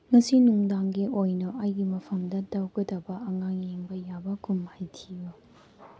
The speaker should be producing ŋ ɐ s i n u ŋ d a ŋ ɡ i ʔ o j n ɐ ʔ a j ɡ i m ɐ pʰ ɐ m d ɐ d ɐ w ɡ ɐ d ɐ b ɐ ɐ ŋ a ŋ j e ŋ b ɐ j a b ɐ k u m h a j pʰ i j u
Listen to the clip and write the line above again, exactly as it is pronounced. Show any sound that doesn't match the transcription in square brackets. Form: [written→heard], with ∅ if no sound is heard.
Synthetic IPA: ŋ ɐ s i n u ŋ d a ŋ ɡ i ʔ o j n ɐ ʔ a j ɡ i m ɐ pʰ ɐ m d ɐ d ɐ w ɡ ɐ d ɐ b ɐ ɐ ŋ a ŋ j e ŋ b ɐ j a b ɐ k u m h a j [pʰ→tʰ] i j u